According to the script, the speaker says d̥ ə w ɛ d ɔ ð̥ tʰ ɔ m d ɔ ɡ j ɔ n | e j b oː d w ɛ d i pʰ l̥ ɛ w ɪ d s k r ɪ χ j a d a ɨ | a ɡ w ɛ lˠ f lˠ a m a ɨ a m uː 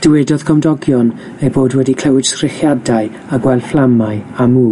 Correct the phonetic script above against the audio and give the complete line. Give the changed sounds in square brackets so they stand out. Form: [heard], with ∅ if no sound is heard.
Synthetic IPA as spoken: d̥ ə w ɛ d ɔ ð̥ [kʰ] ɔ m d ɔ ɡ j ɔ n | e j b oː d w ɛ d i [kʰ] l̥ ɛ w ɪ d s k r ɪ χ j a d a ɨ | a ɡ w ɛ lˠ f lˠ a m a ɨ a m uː

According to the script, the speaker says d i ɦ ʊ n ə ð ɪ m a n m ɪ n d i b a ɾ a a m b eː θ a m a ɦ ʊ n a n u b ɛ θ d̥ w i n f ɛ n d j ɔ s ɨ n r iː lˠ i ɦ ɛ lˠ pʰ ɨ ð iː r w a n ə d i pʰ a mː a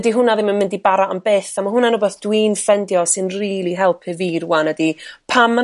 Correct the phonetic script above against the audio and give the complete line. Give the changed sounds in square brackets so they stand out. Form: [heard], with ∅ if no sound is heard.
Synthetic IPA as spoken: d i ɦ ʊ n [a] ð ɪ m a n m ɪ n d i b a ɾ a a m b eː θ a m a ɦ ʊ n a n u b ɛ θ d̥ w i n f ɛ n d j ɔ s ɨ n r iː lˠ i ɦ ɛ lˠ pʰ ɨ [v] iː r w a n ə d i pʰ a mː a

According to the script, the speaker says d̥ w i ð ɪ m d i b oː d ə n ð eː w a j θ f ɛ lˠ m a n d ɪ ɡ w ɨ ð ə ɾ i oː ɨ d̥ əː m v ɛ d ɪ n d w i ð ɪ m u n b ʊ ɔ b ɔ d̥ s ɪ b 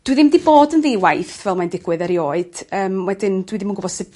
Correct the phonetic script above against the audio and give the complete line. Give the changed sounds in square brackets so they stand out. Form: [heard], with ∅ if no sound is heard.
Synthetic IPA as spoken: d̥ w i ð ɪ m d i b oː d ə n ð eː w a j θ [v] ɛ lˠ m a n d ɪ ɡ w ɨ ð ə ɾ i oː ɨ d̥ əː m [w] ɛ d ɪ n d w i ð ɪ m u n [ɡ] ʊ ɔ b ɔ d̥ s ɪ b

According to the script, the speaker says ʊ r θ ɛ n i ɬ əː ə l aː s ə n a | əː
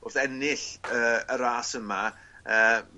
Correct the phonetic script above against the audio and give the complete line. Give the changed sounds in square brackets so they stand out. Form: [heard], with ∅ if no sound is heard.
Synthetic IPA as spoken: ʊ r θ ɛ n [ɪ] ɬ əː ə [ɾ] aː s ə [m] a | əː

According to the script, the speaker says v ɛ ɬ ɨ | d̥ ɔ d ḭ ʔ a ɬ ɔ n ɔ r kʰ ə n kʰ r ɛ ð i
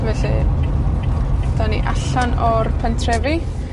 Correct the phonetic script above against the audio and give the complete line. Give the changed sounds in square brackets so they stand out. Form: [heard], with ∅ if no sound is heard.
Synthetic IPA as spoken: v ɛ ɬ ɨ | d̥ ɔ [n] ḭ ʔ a ɬ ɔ n ɔ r [pʰ] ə n [tʰ] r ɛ [v] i

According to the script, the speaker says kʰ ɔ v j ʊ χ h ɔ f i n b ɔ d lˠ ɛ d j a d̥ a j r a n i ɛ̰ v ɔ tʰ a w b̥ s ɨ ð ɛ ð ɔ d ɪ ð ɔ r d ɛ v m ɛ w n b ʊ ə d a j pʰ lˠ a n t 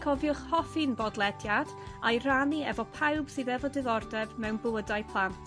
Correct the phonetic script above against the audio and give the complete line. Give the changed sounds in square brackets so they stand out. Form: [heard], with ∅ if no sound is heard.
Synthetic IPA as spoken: kʰ ɔ v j ʊ χ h ɔ f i n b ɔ d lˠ ɛ d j a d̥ a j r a n i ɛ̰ v ɔ [pʰ] a w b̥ s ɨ ð ɛ [v] ɔ d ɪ ð ɔ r d ɛ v m ɛ w n b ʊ ə d a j pʰ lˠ a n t

